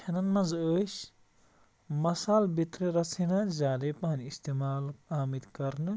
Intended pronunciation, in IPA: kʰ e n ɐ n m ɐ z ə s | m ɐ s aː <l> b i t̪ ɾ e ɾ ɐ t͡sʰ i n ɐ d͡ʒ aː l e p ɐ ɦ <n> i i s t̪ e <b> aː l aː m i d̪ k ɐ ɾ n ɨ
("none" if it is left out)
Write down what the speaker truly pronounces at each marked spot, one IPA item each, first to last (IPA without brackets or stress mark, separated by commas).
l, n, m